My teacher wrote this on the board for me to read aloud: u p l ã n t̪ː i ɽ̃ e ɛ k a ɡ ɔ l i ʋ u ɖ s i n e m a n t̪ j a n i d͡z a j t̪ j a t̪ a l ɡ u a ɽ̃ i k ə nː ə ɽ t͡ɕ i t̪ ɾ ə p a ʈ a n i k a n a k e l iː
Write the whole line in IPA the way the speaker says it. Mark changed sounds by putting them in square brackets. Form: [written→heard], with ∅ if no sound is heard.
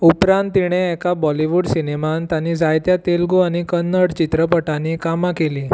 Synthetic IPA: u p [l→ɾ] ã n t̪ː i ɽ̃ e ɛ k a [ɡ→b] ɔ l i ʋ u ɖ s i n e m a n t̪ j a n i d͡z a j t̪ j a t̪ [a→e] l ɡ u a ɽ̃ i k ə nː ə ɽ t͡ɕ i t̪ ɾ ə p [a→ə] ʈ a n i k a [n→m] a k e l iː